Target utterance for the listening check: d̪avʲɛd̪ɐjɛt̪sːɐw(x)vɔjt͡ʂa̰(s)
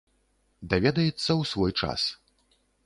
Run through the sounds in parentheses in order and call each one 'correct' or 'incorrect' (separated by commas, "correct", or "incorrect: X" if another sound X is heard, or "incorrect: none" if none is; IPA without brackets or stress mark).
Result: incorrect: s, correct